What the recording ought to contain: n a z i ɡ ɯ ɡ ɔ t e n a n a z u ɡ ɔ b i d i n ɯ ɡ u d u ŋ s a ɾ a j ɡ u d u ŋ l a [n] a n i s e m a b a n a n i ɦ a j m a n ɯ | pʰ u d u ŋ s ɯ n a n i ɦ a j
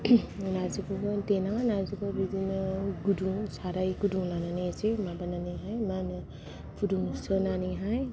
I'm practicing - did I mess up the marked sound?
no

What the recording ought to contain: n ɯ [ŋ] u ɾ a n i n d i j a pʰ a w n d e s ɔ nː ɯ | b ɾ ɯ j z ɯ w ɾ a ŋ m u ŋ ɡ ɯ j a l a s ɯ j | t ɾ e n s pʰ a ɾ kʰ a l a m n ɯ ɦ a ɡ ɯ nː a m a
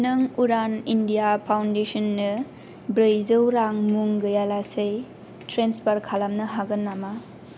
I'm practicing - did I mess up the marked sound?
no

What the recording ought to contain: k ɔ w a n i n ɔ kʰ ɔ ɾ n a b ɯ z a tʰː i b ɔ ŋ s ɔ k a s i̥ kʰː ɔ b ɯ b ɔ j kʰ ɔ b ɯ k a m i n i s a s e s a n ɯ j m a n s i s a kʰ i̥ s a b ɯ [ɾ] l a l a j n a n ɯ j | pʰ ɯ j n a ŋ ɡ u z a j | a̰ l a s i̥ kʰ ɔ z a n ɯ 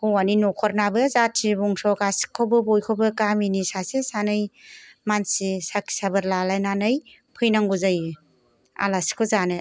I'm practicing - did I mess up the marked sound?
no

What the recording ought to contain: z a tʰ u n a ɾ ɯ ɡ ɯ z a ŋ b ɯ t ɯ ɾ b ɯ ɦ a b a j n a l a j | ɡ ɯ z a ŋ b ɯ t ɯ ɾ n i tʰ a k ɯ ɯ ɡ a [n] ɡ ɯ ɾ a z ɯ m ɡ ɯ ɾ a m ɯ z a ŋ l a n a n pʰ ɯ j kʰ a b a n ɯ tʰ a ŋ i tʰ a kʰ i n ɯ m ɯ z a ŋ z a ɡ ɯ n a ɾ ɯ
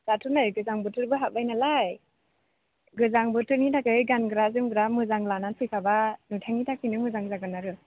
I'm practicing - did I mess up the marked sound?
no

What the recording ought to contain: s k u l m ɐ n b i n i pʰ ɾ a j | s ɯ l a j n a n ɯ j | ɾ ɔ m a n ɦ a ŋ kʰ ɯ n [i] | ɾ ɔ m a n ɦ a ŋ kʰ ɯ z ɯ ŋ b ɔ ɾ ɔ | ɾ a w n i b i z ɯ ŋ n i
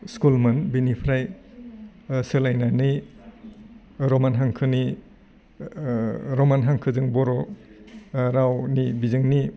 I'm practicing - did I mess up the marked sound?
no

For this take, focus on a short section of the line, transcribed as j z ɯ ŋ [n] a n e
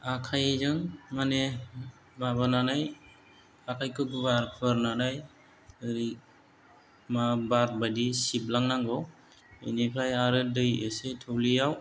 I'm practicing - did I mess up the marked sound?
yes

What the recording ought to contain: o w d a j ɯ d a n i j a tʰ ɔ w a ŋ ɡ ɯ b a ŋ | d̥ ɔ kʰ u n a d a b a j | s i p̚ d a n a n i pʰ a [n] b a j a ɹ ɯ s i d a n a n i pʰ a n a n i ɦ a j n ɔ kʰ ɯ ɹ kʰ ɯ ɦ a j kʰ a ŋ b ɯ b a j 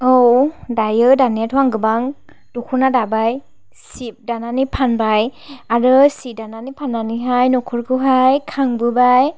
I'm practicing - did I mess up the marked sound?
no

